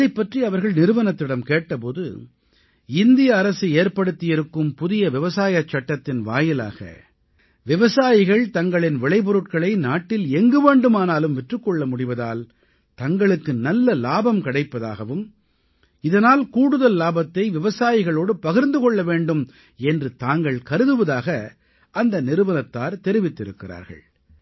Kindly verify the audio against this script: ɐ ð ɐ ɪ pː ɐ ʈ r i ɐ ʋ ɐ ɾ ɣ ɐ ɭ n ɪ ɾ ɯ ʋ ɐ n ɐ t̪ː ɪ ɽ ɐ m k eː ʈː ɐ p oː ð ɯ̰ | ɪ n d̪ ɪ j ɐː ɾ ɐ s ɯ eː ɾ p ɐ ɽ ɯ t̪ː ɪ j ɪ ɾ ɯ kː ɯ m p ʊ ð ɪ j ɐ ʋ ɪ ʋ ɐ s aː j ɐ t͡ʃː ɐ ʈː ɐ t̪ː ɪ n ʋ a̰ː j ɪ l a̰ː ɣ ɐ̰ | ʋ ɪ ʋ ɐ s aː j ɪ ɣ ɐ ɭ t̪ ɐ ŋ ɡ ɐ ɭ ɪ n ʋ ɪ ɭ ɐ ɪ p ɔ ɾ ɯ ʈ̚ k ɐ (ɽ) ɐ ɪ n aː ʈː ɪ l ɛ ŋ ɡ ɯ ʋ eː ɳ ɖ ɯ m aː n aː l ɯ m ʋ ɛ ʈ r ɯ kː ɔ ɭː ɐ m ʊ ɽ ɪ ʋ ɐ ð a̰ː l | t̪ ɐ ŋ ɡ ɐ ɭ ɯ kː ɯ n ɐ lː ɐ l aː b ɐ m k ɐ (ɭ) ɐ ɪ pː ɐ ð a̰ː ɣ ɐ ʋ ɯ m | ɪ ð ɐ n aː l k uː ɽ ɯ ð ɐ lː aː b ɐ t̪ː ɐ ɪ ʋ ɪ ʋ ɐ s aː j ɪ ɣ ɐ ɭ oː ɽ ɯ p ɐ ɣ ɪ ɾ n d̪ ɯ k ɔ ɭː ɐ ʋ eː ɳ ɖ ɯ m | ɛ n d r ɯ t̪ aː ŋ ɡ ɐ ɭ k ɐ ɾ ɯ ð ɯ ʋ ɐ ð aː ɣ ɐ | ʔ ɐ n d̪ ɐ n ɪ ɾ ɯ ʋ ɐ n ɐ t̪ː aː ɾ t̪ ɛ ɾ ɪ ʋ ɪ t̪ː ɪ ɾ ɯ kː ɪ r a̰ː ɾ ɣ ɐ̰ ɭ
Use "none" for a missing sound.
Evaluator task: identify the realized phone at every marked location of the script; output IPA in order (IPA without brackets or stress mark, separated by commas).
ɭ, ɽ